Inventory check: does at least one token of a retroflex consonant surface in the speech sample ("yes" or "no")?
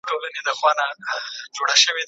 yes